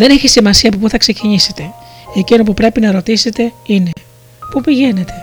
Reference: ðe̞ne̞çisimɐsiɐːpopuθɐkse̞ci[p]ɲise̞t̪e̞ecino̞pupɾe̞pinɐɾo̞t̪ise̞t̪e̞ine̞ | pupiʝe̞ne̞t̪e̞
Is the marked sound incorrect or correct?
incorrect